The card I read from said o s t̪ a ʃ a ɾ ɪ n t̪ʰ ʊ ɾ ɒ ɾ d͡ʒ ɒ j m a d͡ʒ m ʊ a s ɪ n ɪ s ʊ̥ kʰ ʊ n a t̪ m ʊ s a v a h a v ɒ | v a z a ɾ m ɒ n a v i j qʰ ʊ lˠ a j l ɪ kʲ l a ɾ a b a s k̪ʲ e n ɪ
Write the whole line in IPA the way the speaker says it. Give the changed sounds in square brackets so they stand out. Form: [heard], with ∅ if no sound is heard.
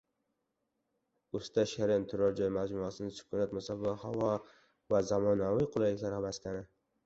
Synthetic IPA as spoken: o s t̪ a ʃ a ɾ ɪ n t̪ʰ ʊ ɾ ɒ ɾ d͡ʒ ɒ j m a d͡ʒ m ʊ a s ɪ n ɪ s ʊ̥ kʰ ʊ n a t̪ m ʊ s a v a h a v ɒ | v a z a [∅] m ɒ n a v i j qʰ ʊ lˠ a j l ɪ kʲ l a ɾ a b a s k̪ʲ [a] n ɪ